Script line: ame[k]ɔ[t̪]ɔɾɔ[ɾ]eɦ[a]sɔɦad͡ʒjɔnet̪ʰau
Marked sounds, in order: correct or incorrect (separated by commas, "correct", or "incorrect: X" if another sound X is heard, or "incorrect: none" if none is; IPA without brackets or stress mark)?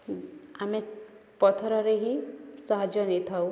incorrect: p, incorrect: t̪ʰ, correct, incorrect: i